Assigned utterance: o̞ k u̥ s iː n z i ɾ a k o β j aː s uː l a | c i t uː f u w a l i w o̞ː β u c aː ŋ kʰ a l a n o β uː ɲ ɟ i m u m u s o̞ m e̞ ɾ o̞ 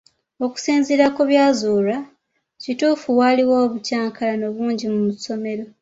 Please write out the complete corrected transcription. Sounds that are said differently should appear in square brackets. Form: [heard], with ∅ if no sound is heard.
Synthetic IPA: o̞ k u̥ s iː n z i ɾ a k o β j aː [z] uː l a | c i t uː f u w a l i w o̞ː β u c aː ŋ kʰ a l a n o β uː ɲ ɟ i m u m u s o̞ m e̞ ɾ o̞